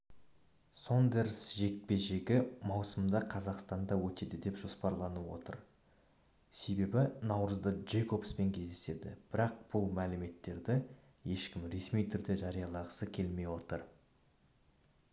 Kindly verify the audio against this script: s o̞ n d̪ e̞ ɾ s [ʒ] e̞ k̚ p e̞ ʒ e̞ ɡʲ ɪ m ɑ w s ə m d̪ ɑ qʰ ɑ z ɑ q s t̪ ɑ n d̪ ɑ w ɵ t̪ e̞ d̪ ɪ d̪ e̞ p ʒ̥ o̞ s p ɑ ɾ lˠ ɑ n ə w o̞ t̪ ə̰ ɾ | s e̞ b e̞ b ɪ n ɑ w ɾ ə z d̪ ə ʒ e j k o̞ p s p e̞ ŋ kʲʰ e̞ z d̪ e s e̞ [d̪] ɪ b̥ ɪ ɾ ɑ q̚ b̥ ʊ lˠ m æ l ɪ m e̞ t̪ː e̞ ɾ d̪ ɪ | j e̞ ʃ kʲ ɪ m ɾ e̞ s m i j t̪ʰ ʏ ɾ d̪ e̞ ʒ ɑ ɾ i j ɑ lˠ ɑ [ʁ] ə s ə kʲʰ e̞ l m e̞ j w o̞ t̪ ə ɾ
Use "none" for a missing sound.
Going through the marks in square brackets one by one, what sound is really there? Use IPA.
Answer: ʒ, d̪, ʁ

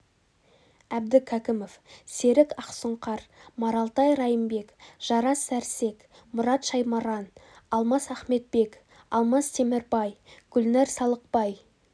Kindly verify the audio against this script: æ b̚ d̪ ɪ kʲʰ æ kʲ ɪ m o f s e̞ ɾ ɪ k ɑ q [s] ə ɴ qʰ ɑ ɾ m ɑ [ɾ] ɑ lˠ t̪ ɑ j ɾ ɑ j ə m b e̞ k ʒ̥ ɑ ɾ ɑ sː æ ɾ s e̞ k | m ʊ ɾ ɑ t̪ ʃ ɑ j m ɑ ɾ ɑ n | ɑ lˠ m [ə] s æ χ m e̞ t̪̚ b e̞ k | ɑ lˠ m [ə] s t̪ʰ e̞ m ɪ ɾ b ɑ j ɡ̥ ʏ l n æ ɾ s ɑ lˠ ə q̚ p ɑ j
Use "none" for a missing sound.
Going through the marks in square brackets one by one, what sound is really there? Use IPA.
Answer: s, ɾ, ɑ, ɑ

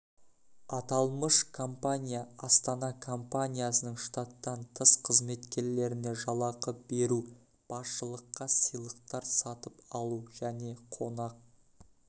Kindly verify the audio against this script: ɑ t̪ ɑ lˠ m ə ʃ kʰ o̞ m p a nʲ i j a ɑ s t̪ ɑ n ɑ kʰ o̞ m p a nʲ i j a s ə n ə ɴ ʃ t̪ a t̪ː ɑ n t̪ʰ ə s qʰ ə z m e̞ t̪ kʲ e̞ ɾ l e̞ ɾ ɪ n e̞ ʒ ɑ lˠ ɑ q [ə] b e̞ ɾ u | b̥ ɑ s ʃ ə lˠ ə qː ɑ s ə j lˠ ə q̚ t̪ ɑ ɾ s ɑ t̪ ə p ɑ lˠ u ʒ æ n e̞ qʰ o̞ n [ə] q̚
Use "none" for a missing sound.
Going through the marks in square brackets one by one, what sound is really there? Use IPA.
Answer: ə, ɑ

